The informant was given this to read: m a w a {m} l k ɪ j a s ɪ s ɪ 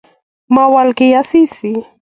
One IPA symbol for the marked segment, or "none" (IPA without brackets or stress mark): none